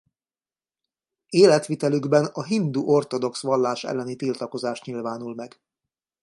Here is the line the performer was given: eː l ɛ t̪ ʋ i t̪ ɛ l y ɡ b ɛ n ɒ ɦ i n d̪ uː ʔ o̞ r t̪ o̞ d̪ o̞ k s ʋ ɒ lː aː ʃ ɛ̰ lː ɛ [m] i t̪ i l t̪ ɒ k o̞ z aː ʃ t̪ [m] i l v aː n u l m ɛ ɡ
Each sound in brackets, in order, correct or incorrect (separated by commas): incorrect, incorrect